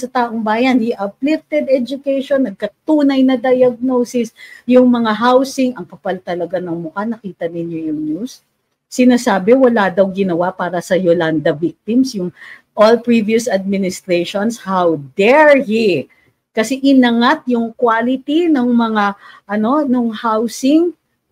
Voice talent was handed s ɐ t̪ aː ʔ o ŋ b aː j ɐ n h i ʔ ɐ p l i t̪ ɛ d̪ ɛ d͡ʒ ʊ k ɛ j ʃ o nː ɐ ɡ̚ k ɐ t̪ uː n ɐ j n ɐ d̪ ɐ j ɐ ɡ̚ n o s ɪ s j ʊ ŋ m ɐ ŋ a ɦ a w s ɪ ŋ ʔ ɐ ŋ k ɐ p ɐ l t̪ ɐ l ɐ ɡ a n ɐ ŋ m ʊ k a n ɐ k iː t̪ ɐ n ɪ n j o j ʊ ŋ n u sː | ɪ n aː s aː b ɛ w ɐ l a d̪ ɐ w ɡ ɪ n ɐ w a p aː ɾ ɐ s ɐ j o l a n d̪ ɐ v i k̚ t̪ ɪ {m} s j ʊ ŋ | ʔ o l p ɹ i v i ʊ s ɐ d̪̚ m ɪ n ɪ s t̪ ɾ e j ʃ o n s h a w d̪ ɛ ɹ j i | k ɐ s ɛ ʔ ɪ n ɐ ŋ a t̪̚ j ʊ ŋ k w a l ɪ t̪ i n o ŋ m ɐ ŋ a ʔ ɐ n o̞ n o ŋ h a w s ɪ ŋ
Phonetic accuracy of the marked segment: correct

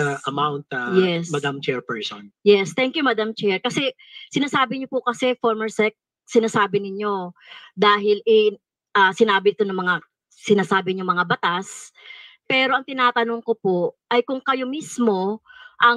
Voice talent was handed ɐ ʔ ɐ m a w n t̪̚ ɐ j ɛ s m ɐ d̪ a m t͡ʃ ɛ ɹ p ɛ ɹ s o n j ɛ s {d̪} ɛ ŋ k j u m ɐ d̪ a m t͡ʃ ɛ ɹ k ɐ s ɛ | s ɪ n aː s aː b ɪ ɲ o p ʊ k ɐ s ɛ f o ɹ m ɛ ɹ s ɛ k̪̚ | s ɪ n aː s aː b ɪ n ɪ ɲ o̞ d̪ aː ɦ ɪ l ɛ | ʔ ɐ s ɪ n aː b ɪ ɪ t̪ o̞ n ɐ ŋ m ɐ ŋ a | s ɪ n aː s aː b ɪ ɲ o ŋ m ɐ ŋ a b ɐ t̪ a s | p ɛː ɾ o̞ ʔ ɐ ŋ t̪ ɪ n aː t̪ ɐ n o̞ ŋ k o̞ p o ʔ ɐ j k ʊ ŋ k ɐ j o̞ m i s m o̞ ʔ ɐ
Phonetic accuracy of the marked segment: incorrect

